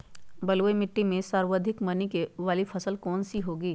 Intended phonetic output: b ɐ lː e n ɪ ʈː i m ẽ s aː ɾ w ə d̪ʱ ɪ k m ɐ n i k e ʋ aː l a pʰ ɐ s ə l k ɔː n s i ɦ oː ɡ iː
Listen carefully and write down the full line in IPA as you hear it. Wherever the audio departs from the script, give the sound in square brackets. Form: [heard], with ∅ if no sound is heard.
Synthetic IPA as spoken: b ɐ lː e [m] ɪ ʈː i m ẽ s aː ɾ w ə d̪ʱ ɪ k m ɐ n i k e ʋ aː l [i] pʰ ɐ s ə l k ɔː n s i ɦ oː ɡ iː